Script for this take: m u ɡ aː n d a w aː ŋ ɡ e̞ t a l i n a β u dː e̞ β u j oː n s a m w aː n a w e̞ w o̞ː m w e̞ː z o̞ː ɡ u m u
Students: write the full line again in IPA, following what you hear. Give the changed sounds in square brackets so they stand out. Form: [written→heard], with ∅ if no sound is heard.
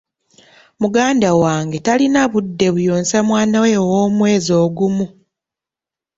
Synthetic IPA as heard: m u ɡ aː n d a w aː ŋ ɡ e̞ t a l i n a β u dː e̞ β u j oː n s a m w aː n a w e̞ w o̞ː m w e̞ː z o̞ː ɡ u m u